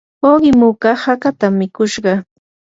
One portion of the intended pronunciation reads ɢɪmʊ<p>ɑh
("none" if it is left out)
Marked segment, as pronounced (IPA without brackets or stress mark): k